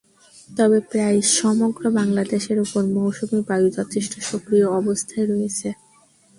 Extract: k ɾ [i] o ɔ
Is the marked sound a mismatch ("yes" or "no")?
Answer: no